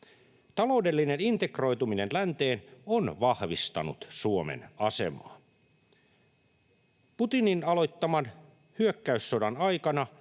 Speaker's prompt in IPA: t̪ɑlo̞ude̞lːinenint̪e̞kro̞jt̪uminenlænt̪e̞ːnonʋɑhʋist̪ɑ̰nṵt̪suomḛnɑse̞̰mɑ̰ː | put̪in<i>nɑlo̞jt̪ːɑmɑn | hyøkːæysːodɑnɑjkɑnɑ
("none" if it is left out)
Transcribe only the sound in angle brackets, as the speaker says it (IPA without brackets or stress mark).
i